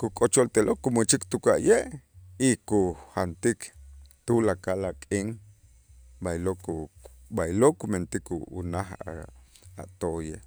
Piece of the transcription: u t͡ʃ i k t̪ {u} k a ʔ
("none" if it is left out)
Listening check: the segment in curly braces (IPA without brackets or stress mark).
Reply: u